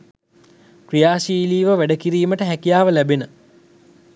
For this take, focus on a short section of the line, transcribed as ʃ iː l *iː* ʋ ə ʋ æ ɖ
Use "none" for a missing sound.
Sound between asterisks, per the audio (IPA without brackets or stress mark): iː